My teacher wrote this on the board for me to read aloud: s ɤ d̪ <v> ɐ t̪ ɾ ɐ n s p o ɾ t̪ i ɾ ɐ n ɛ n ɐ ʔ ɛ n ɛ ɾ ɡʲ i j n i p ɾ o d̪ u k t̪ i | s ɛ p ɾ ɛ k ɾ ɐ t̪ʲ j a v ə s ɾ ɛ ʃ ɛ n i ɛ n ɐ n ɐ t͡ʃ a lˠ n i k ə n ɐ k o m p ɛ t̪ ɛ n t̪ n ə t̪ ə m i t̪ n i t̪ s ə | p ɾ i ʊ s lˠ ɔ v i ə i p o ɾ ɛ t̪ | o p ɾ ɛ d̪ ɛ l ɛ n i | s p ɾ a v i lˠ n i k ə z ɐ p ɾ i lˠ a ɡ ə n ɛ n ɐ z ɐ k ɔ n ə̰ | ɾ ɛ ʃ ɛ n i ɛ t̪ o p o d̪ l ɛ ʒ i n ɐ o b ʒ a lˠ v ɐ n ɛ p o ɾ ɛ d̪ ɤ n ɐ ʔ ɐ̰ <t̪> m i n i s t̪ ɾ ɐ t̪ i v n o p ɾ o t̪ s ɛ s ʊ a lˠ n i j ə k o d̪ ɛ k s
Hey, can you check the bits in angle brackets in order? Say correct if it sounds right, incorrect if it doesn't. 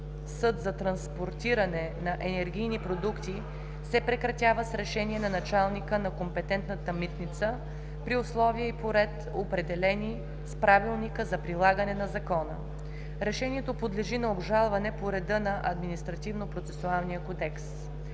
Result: incorrect: z, incorrect: d̪

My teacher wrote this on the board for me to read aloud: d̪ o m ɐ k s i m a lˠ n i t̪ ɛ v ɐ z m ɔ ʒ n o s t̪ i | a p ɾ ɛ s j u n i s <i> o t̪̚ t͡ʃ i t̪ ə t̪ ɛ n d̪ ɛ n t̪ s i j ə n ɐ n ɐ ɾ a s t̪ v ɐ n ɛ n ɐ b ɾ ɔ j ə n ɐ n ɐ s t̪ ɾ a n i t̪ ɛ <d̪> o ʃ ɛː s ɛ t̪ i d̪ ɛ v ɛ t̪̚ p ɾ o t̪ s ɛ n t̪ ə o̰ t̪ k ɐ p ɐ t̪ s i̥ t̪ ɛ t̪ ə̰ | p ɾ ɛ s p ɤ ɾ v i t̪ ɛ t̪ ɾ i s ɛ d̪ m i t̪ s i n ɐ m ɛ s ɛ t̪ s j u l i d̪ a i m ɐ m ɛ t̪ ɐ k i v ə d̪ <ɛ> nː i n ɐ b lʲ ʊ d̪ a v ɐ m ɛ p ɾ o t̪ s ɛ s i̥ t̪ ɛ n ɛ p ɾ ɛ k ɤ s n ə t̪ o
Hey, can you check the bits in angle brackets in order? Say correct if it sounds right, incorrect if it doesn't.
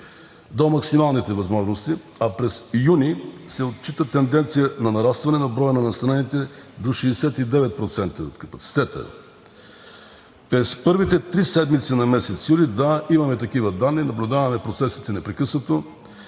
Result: incorrect: ɛ, correct, incorrect: a

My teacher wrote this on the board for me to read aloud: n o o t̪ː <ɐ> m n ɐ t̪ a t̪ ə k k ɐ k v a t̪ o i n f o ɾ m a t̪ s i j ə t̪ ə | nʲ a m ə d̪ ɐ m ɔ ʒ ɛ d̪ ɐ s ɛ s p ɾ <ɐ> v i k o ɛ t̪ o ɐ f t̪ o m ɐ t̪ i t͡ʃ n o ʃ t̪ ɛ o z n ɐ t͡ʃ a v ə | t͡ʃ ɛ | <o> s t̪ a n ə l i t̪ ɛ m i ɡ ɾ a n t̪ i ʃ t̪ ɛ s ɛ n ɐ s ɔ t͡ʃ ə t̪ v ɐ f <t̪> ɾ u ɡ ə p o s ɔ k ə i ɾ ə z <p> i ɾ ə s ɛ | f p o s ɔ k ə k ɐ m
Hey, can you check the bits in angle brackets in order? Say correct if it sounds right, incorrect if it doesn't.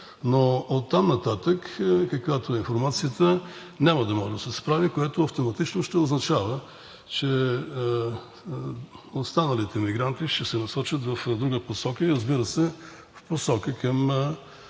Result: incorrect: a, incorrect: a, correct, incorrect: d̪, incorrect: b

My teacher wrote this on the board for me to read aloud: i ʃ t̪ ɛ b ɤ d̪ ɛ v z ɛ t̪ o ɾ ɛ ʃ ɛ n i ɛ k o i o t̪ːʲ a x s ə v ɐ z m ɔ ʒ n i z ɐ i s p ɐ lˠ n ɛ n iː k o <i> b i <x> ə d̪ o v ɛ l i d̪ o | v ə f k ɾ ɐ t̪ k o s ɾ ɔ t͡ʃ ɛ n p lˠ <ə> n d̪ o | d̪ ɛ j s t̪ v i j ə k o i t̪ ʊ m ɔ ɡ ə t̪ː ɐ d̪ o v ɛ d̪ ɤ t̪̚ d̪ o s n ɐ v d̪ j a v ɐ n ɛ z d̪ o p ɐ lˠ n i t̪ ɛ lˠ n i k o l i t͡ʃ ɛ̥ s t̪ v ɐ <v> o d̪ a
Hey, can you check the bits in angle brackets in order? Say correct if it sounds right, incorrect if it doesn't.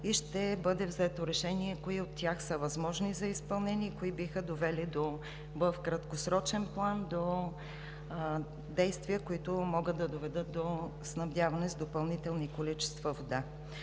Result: correct, correct, incorrect: a, correct

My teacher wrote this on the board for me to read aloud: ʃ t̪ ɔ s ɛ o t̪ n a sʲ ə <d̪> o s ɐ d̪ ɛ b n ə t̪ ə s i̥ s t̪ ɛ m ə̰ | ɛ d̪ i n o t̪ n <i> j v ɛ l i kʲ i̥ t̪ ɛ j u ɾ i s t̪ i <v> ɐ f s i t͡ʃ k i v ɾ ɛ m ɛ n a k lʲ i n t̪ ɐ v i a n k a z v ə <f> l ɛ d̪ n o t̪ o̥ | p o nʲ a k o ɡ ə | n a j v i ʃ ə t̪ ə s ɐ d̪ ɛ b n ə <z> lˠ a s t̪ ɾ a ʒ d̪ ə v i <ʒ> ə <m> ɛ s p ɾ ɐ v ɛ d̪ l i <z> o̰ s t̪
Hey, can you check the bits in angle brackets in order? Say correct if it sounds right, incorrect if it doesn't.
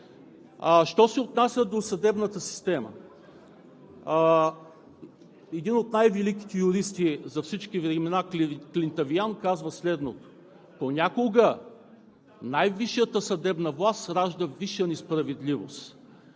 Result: correct, incorrect: a, incorrect: z, incorrect: s, incorrect: v, incorrect: ʃ, incorrect: n, incorrect: v

